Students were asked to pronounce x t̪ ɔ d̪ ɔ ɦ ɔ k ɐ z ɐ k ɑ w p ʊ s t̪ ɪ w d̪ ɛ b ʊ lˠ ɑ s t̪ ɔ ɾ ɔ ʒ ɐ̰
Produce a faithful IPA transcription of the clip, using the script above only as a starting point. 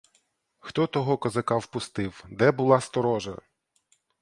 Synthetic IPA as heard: x t̪ ɔ t̪ ɔ ɦ ɔ k ɐ z ɐ k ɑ w p ʊ s t̪ ɪ w d̪ ɛ b ʊ lˠ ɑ s t̪ ɔ ɾ ɔ ʒ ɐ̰